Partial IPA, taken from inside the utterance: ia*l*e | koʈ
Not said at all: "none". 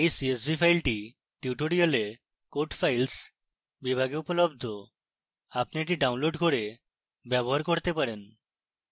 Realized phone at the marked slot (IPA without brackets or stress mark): l